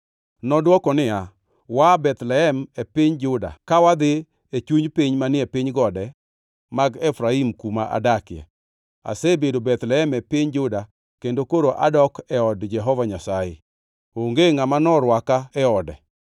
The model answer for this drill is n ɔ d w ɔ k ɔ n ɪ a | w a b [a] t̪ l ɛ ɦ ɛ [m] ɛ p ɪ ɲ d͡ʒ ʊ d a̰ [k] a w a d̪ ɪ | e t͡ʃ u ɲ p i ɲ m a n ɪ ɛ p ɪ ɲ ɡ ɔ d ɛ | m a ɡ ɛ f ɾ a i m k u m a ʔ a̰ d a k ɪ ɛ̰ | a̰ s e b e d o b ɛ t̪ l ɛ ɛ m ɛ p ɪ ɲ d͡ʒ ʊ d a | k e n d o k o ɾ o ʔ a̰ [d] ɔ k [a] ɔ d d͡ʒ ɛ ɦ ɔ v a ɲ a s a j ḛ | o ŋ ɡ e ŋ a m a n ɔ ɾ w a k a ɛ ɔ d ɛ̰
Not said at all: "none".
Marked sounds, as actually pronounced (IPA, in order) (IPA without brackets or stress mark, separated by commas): ɛ, m, k, d, ɛ